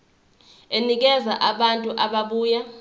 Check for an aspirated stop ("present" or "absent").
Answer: absent